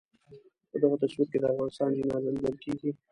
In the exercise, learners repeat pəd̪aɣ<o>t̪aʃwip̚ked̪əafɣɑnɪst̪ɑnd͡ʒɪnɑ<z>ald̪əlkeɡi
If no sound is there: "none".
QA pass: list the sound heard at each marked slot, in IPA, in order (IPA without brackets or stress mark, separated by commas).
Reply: o, z